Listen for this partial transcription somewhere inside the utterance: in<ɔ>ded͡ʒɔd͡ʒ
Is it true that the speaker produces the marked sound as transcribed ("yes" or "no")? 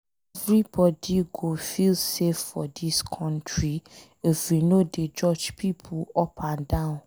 no